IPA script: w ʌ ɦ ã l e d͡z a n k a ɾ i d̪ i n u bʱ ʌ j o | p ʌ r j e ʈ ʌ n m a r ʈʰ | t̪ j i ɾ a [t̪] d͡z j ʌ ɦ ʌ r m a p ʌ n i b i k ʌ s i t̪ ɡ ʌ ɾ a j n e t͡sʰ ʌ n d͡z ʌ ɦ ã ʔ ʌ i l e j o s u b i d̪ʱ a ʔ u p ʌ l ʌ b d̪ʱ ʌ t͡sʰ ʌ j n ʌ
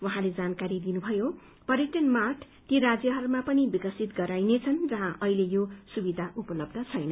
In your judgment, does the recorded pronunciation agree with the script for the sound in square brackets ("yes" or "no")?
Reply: no